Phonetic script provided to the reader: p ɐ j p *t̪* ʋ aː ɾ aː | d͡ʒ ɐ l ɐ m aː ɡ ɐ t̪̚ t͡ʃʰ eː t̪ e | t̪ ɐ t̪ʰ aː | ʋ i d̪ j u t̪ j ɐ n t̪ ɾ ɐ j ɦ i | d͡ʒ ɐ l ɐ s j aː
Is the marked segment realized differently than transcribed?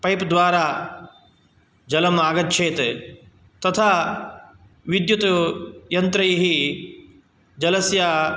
yes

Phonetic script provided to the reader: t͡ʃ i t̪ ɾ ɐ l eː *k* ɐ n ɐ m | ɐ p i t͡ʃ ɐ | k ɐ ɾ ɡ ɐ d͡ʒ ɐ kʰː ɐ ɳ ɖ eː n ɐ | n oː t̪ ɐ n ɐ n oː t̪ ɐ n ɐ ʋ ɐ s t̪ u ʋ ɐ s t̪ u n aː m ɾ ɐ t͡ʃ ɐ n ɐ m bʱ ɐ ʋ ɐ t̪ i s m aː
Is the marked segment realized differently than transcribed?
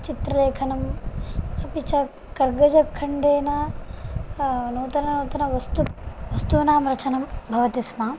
yes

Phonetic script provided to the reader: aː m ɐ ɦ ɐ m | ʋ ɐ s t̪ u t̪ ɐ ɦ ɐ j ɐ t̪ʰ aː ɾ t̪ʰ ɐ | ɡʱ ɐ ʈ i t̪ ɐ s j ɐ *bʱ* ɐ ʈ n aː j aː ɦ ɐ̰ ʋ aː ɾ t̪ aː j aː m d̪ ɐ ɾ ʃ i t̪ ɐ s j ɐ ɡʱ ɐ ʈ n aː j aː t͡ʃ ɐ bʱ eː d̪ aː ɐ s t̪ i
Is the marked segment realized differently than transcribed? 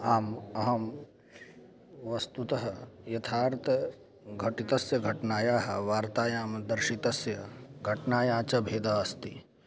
yes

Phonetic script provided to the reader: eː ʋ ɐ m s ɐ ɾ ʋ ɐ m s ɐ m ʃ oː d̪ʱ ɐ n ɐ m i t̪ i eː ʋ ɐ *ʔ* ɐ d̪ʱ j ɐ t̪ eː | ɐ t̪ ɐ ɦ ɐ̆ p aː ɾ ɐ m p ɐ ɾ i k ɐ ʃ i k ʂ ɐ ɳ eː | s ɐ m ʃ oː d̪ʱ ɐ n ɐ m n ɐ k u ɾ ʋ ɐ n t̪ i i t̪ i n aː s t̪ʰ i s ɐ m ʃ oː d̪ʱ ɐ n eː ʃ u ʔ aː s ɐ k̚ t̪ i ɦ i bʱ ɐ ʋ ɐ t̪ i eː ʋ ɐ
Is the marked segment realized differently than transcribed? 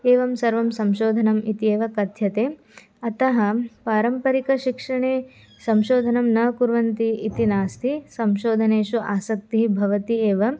yes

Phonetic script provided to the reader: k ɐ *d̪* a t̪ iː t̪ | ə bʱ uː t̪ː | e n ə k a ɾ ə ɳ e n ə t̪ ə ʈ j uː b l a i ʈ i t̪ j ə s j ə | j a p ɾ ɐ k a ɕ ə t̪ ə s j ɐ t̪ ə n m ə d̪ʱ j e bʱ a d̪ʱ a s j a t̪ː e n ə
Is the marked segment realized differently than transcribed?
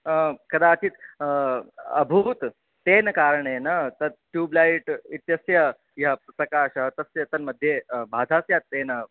no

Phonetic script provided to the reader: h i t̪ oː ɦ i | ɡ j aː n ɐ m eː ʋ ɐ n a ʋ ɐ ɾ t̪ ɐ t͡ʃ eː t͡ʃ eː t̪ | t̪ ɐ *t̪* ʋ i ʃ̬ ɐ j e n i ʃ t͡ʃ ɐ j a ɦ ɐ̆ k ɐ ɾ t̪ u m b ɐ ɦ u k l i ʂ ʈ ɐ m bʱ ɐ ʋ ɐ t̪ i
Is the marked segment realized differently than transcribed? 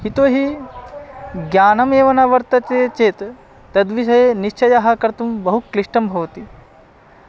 yes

